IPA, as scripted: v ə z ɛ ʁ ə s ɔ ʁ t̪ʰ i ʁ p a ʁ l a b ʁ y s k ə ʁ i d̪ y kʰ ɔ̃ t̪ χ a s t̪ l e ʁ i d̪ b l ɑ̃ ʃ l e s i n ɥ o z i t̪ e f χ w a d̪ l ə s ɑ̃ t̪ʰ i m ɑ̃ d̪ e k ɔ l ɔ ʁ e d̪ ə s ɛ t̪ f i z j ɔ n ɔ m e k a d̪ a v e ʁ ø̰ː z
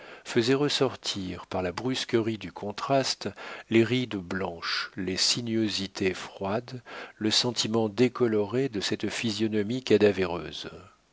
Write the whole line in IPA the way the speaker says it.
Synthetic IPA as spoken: f ə z ɛ ʁ ə s ɔ ʁ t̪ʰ i ʁ p a ʁ l a b ʁ y s k ə ʁ i d̪ y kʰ ɔ̃ t̪ χ a s t̪ l e ʁ i d̪ b l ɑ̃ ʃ l e s i n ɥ o z i t̪ e f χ w a d̪ l ə s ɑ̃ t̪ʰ i m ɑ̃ d̪ e k ɔ l ɔ ʁ e d̪ ə s ɛ t̪ f i z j ɔ n ɔ m i k a d̪ a v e ʁ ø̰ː z

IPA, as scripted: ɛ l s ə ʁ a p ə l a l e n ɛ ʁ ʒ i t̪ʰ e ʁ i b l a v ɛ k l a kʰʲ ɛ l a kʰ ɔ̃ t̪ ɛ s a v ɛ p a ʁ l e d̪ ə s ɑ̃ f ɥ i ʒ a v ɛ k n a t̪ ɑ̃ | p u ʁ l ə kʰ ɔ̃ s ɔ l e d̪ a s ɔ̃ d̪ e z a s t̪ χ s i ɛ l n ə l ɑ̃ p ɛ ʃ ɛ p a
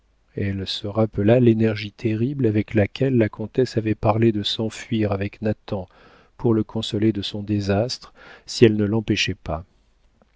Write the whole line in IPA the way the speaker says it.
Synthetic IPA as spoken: ɛ l s ə ʁ a p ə l a l e n ɛ ʁ ʒ i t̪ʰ e ʁ i b l a v ɛ k l a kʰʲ ɛ lː a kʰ ɔ̃ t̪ ɛ s a v ɛ p a ʁ l e d̪ ə s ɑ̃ f ɥ i ʁ a v ɛ k n a t̪ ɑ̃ | p u ʁ l ə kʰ ɔ̃ s ɔ l e d̪ ə s ɔ̃ d̪ e z a s t̪ χ s i ɛ l n ə l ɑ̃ p ɛ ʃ ɛ p a

